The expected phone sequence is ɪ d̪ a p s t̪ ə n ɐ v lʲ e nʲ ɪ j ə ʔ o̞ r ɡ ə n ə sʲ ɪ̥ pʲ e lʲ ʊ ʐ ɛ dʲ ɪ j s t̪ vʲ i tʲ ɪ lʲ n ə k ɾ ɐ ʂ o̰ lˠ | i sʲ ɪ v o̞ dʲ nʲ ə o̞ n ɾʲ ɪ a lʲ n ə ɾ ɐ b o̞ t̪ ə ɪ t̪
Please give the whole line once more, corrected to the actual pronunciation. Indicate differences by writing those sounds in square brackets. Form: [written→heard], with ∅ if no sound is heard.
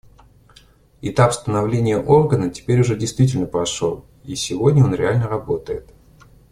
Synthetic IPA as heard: ɪ [d̪→t̪] a p s t̪ ə n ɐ v lʲ e nʲ ɪ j ə ʔ o̞ r ɡ ə n ə [sʲ→tʲ] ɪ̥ pʲ e [lʲ→ɾʲ] ʊ ʐ ɛ dʲ ɪ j s t̪ vʲ i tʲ ɪ lʲ n ə [k→p] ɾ ɐ ʂ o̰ lˠ | i sʲ ɪ v o̞ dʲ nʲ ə o̞ n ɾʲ ɪ a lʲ n ə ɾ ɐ b o̞ t̪ ə ɪ t̪